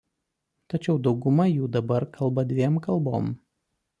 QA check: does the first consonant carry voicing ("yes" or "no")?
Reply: no